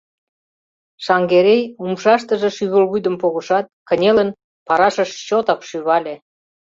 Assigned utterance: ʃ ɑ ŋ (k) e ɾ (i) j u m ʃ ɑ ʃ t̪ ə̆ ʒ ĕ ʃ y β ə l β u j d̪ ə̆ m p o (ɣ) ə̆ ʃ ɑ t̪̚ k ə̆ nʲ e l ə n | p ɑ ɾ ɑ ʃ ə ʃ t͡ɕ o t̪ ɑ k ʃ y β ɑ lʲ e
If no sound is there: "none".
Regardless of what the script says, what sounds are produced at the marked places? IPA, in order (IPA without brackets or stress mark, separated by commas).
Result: ɡ, e, ɣ